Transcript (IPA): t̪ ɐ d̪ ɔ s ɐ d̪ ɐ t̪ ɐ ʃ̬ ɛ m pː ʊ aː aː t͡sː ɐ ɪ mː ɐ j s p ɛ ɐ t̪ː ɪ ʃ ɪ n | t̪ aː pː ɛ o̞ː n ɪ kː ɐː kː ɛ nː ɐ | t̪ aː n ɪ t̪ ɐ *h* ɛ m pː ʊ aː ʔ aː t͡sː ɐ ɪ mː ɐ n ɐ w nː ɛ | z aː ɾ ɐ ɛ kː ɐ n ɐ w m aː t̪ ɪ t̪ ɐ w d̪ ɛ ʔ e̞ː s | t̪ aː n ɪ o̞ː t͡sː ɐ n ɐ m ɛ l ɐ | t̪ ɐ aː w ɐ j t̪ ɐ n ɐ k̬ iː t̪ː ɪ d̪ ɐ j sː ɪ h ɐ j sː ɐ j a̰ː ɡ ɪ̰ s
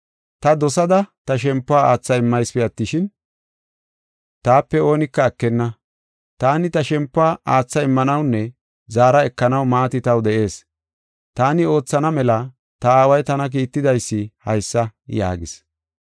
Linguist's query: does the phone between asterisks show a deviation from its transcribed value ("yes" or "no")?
yes